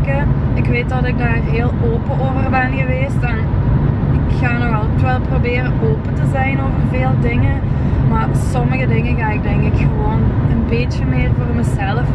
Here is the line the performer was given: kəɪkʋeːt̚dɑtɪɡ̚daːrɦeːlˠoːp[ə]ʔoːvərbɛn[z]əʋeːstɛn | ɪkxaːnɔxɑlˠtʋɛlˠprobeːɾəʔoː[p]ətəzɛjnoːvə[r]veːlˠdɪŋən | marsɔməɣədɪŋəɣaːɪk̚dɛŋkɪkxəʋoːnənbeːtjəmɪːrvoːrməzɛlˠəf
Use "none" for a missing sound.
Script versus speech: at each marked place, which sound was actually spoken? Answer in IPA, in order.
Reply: ə, ɣ, p, r

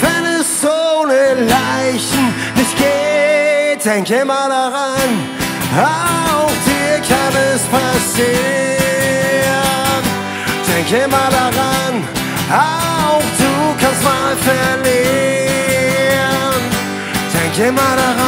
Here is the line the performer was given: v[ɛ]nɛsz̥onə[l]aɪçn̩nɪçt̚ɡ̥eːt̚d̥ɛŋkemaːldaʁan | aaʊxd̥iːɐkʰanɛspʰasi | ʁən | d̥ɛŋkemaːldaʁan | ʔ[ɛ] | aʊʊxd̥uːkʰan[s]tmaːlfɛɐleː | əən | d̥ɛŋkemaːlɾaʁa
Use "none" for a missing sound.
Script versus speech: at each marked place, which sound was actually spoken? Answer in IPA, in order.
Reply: ɛ, l, a, s

